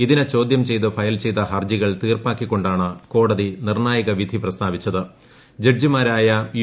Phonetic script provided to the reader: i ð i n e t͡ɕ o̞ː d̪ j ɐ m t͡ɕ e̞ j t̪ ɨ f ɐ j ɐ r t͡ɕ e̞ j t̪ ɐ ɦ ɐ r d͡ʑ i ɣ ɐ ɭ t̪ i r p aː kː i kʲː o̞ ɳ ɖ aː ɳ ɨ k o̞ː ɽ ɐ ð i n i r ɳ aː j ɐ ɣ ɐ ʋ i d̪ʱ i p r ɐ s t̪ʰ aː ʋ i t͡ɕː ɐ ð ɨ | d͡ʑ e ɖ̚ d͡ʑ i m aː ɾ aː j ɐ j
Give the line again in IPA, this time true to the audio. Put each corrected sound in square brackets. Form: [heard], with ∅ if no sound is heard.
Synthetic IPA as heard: i ð i n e t͡ɕ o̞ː d̪ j ɐ m t͡ɕ e̞ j t̪ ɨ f ɐ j ɐ [l] t͡ɕ e̞ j t̪ ɐ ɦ ɐ r d͡ʑ i ɣ ɐ ɭ t̪ [iː] r p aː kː i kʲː o̞ ɳ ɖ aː ɳ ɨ k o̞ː ɽ ɐ ð i n i r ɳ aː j ɐ ɣ ɐ ʋ i d̪ʱ i p r ɐ s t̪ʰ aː ʋ i t͡ɕː ɐ ð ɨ | d͡ʑ e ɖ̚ d͡ʑ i m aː ɾ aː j ɐ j

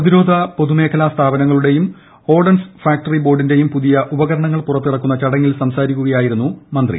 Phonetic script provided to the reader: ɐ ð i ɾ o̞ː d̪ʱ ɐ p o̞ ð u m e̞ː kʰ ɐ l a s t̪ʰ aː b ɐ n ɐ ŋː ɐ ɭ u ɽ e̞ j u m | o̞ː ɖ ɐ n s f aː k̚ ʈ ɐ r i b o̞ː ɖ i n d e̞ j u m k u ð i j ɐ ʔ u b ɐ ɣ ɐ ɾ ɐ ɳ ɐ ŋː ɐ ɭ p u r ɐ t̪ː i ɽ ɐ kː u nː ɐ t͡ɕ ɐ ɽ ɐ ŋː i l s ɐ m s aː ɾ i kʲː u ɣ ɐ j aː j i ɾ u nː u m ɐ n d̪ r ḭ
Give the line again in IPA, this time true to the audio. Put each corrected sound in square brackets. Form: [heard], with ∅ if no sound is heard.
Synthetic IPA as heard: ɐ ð i ɾ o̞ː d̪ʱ ɐ p o̞ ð u m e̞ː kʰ ɐ l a s t̪ʰ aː b ɐ n ɐ ŋː ɐ ɭ u ɽ e̞ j u m | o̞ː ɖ ɐ n s f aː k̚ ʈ ɐ r i b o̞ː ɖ i n d e̞ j u m [p] u ð i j ɐ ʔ u b ɐ ɣ ɐ ɾ ɐ ɳ ɐ ŋː ɐ ɭ p u r ɐ t̪ː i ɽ ɐ kː u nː ɐ t͡ɕ ɐ ɽ ɐ ŋː i l s ɐ m s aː ɾ i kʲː u ɣ ɐ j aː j i ɾ u nː u m ɐ n d̪ r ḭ

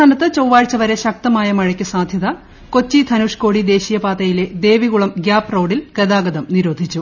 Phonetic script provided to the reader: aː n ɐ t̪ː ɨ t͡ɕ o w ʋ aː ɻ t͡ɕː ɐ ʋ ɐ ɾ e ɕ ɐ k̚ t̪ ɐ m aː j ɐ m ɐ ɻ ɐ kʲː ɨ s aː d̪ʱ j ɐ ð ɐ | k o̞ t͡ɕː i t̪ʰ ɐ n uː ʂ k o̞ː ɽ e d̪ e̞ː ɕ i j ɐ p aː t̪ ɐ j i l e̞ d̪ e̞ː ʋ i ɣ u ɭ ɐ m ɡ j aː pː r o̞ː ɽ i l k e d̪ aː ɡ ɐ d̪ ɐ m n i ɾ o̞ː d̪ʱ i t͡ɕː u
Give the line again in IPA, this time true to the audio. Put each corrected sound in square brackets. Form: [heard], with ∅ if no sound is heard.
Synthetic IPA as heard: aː n ɐ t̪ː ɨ t͡ɕ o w ʋ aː ɻ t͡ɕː ɐ ʋ ɐ ɾ e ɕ ɐ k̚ t̪ ɐ m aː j ɐ m ɐ ɻ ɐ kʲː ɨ s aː d̪ʱ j ɐ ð ɐ | k o̞ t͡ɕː i t̪ʰ ɐ n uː ʂ k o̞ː ɽ [i] d̪ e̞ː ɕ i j ɐ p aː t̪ ɐ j i l e̞ d̪ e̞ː ʋ i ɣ u ɭ ɐ m ɡ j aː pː r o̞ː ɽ i l k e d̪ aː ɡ ɐ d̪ ɐ m n i ɾ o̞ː d̪ʱ i t͡ɕː u

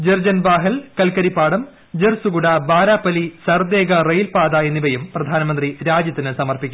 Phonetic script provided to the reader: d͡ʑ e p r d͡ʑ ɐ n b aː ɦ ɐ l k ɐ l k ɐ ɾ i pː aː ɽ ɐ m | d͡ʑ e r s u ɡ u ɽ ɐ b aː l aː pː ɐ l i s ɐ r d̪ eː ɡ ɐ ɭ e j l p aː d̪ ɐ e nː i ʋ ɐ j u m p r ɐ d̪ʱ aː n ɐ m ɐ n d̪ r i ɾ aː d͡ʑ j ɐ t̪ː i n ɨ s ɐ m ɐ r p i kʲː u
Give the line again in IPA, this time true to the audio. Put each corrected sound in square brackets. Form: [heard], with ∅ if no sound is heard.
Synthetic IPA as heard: d͡ʑ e [∅] r d͡ʑ ɐ n b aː ɦ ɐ l k ɐ l k ɐ ɾ i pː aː ɽ ɐ m | d͡ʑ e r s u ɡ u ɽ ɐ b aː [ɾ] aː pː ɐ l i s ɐ r d̪ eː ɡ ɐ [r] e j l p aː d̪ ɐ e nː i ʋ ɐ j u m p r ɐ d̪ʱ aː n ɐ m ɐ n d̪ r i ɾ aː d͡ʑ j ɐ t̪ː i n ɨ s ɐ m ɐ r p i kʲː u

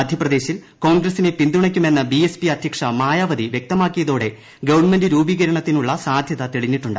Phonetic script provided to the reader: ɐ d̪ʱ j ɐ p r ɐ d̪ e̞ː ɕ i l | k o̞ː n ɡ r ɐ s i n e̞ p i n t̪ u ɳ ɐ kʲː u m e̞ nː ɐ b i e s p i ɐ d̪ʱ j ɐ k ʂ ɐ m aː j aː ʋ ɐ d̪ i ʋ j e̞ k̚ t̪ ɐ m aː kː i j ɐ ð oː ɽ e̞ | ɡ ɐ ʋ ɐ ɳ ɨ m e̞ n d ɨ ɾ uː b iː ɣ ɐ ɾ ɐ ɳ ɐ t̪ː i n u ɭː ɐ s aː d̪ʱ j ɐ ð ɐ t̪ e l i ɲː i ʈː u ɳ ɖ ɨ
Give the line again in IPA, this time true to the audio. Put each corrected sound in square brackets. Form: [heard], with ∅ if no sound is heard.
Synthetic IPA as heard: ɐ d̪ʱ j ɐ p r ɐ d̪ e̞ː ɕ i l | k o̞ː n ɡ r ɐ s i n e̞ p i n [d̪] u ɳ ɐ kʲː u m e̞ nː ɐ b i e s p i ɐ d̪ʱ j ɐ k ʂ ɐ m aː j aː ʋ ɐ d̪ i ʋ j e̞ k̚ t̪ ɐ m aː kː i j ɐ ð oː ɽ e̞ | ɡ ɐ ʋ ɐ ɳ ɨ m e̞ n d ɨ ɾ uː b iː ɣ ɐ ɾ ɐ ɳ ɐ t̪ː i n u ɭː ɐ s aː d̪ʱ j ɐ ð ɐ t̪ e [ɭ] i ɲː i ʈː u ɳ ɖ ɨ

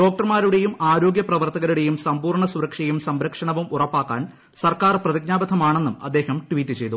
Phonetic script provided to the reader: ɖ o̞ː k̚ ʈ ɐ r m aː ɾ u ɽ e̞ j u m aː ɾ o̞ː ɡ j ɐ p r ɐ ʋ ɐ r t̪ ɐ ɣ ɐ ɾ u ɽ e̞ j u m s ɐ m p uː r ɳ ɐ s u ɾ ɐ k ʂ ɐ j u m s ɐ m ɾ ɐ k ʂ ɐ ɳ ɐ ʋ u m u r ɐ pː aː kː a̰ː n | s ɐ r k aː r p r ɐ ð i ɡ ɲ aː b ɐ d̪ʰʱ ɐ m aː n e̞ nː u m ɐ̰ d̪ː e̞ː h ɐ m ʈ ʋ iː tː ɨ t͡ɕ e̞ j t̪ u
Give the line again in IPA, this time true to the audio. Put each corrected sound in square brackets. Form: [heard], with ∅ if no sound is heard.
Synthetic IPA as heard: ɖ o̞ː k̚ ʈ ɐ r m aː ɾ u ɽ e̞ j u m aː ɾ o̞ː ɡ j ɐ p r ɐ ʋ ɐ r t̪ ɐ ɣ ɐ ɾ u ɽ e̞ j u m s ɐ m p uː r ɳ ɐ s u ɾ ɐ k ʂ ɐ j u m s ɐ m ɾ ɐ k ʂ ɐ ɳ ɐ ʋ u m u r ɐ pː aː kː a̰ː n | s ɐ r k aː r p r ɐ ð i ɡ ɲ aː b ɐ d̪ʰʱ ɐ m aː [ɳ] e̞ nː u m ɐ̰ d̪ː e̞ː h ɐ m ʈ ʋ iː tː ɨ t͡ɕ e̞ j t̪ u

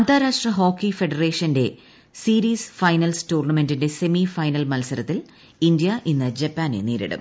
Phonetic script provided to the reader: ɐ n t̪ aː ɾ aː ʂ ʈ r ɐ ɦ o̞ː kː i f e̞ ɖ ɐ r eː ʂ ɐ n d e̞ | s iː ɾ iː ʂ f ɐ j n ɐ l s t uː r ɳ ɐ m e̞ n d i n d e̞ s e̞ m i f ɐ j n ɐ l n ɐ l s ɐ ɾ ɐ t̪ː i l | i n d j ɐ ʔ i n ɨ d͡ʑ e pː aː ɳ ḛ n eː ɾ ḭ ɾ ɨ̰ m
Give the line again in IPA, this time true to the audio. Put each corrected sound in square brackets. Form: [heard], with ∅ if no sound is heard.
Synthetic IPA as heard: ɐ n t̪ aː ɾ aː ʂ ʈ r ɐ ɦ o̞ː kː i f e̞ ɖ ɐ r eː ʂ ɐ n d e̞ | s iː ɾ iː [s] f ɐ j n ɐ l s t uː r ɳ ɐ m e̞ n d i n d e̞ s e̞ m i f ɐ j n ɐ l [m] ɐ l s ɐ ɾ ɐ t̪ː i l | i n d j ɐ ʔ i [nː] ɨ d͡ʑ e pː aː [n] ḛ n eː ɾ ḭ [ɽ] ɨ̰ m

